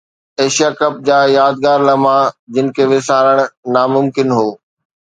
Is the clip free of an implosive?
yes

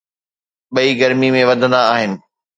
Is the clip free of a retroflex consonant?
yes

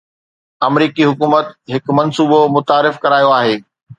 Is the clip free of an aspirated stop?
yes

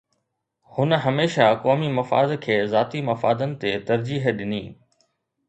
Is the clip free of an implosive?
no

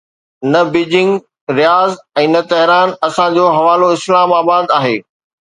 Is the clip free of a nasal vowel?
no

